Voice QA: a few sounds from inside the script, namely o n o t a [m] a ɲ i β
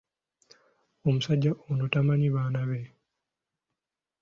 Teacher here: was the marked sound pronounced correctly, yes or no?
yes